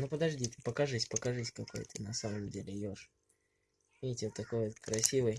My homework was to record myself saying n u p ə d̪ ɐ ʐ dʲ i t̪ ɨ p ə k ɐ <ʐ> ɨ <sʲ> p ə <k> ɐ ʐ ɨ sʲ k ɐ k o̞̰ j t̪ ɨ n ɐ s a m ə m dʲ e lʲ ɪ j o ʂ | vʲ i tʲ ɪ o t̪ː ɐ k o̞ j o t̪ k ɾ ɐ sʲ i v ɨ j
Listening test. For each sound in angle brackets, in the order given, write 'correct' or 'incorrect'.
correct, correct, correct

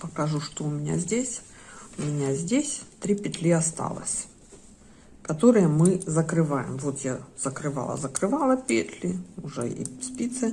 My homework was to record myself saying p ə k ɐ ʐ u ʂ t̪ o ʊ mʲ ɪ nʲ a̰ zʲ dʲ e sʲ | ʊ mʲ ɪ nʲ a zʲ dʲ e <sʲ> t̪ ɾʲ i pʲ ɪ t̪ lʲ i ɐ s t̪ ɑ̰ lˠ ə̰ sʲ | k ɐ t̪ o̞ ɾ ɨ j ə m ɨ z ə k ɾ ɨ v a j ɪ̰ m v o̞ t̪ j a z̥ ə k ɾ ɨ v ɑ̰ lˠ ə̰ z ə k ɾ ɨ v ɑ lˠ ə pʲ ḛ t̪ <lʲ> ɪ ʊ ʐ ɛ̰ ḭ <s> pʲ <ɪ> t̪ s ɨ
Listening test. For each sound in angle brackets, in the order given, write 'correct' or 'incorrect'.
correct, correct, correct, incorrect

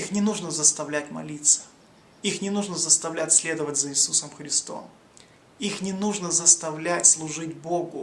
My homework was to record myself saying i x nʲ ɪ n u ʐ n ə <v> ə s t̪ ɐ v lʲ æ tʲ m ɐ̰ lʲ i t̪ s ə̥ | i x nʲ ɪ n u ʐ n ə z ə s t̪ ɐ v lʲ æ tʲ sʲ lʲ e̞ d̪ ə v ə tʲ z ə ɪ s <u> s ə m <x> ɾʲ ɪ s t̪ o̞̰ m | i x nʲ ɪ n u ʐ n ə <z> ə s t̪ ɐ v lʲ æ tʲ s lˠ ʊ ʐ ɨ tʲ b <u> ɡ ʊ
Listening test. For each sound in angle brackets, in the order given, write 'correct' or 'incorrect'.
incorrect, correct, correct, correct, incorrect

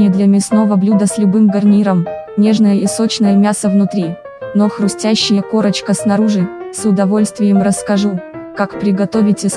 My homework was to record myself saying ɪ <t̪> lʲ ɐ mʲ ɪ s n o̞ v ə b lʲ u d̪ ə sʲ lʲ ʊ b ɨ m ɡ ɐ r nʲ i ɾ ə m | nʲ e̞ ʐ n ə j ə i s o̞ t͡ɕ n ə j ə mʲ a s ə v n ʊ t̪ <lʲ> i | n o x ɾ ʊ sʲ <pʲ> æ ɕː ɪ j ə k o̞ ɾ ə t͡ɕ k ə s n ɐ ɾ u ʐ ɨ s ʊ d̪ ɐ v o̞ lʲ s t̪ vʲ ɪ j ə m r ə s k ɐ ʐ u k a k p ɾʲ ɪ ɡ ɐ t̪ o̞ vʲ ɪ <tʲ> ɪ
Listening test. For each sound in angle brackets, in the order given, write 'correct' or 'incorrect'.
incorrect, incorrect, incorrect, correct

